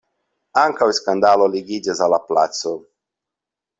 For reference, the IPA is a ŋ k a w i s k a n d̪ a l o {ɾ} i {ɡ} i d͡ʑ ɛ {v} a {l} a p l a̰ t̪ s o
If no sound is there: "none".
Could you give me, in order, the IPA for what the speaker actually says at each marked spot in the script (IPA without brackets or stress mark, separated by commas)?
l, ɡ, z, l